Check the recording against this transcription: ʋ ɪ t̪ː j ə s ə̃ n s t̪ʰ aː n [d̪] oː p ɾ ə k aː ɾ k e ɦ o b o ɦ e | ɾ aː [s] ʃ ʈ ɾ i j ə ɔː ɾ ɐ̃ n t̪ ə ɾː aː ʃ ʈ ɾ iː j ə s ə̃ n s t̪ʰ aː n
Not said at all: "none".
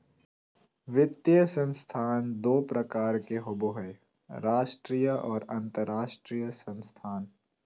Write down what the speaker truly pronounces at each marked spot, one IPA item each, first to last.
d̪, none

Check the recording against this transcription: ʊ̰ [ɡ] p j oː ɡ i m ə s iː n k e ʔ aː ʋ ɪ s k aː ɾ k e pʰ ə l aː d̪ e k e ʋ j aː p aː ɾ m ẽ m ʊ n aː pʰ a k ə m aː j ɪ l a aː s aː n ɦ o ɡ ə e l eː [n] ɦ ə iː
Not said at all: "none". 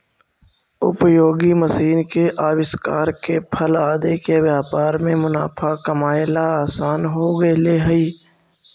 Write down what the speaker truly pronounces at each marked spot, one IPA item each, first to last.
none, none

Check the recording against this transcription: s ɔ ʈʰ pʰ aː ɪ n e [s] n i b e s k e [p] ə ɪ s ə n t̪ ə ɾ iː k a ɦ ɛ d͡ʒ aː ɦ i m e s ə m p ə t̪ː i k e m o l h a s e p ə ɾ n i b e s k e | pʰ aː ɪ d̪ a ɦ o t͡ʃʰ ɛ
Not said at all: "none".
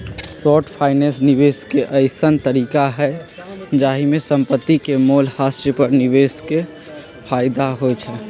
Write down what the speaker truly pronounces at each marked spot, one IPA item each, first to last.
s, ʔ

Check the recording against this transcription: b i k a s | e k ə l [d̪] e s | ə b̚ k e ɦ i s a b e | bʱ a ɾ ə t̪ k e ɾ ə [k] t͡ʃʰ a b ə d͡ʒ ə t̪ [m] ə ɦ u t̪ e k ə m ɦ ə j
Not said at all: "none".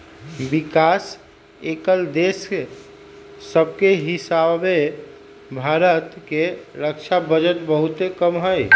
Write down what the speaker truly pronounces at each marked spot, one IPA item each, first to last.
d̪, k, b

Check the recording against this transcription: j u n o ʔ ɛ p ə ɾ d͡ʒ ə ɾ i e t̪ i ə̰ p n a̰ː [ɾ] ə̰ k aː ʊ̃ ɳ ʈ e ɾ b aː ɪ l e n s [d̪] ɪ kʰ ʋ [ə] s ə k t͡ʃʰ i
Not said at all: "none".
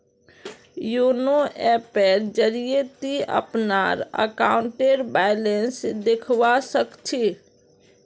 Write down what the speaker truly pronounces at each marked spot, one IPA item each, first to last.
ɾ, d̪, a

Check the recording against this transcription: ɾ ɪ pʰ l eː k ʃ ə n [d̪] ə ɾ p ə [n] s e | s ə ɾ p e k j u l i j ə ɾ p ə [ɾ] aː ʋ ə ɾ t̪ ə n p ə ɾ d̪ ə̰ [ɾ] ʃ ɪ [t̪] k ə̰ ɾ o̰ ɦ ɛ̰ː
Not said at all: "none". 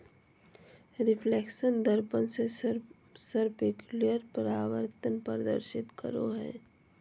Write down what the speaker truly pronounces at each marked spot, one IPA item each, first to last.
d̪, n, ɾ, ɾ, t̪

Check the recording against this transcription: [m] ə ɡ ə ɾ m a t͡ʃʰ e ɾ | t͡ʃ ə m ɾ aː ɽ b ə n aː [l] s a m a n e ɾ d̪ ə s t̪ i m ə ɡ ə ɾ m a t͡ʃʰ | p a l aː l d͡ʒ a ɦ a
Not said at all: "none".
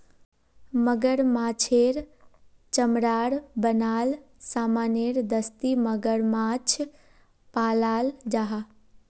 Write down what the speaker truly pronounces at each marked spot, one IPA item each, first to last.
m, l

